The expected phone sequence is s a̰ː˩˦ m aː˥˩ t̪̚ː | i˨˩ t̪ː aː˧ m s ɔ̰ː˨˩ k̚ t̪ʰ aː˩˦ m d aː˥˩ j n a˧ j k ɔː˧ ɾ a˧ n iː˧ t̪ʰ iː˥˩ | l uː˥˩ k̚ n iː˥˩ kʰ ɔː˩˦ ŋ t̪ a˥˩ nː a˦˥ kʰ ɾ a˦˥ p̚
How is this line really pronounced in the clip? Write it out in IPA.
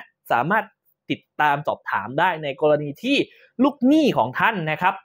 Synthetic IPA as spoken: s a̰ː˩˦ m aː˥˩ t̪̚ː | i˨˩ t̪ː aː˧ m s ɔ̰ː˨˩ p̚ t̪ʰ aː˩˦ m d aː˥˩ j n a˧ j k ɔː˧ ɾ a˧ n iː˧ t̪ʰ iː˥˩ | l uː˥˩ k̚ n iː˥˩ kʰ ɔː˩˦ ŋ t̪ʰ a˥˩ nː a˦˥ kʰ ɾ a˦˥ p̚